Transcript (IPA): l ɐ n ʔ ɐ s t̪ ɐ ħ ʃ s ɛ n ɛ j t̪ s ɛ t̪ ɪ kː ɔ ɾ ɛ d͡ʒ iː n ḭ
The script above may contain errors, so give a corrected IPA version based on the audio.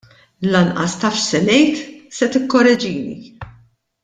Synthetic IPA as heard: l ɐ n ʔ ɐ s t̪ ɐ f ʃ s ɛ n ɛ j t̪ s ɛ t̪ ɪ kː ɔ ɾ ɛ d͡ʒ iː n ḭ